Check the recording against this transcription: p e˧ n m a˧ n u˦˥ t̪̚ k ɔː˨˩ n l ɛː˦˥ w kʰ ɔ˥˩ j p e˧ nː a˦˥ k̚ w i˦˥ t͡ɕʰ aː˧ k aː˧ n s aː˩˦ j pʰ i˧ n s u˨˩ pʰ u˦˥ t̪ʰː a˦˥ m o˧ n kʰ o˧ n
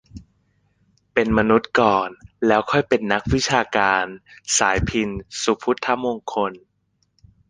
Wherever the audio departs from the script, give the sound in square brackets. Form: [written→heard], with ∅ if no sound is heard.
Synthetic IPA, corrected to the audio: p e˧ n m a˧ n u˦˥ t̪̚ k ɔː˨˩ n l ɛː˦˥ w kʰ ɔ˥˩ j p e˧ nː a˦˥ k̚ w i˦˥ t͡ɕʰ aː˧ k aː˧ n s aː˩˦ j pʰ i˧ n s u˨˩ pʰ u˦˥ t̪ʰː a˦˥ m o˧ [n→ŋ] kʰ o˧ n

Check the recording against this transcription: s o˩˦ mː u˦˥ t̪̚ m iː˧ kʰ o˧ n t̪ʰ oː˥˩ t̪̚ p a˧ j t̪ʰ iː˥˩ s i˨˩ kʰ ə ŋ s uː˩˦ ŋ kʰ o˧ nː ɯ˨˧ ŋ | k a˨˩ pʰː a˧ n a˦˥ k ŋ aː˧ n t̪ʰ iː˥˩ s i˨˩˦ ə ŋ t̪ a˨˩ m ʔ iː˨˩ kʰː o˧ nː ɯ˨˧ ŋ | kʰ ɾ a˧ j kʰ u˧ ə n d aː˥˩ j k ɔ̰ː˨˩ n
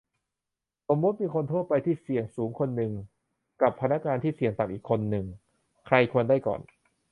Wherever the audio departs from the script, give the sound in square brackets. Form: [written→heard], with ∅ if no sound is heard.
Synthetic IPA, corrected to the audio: s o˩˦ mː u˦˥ t̪̚ m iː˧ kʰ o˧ n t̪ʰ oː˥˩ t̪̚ p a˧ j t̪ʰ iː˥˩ s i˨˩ [kʰ→∅] ə ŋ s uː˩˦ ŋ kʰ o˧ nː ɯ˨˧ ŋ | k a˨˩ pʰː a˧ n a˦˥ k ŋ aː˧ n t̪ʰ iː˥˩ s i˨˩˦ ə ŋ t̪ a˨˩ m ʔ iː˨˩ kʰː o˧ nː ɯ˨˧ ŋ | kʰ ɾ a˧ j kʰ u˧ ə n d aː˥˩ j k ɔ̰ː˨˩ n

